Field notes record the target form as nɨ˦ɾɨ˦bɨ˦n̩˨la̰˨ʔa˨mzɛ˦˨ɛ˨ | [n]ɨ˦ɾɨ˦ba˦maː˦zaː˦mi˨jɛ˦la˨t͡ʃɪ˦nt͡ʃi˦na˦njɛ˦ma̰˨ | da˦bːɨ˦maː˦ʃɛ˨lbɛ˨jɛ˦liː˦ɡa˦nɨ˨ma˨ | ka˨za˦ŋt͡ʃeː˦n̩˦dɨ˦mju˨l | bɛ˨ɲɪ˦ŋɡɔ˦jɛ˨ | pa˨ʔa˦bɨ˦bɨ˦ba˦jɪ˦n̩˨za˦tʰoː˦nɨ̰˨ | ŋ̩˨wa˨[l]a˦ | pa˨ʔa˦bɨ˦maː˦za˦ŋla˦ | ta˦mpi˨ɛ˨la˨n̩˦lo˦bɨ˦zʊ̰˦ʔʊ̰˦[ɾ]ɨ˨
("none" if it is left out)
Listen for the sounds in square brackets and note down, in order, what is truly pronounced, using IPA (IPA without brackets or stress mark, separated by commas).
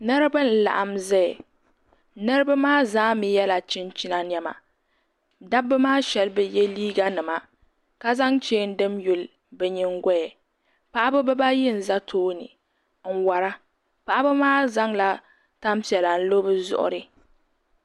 n, ɾ, ɾ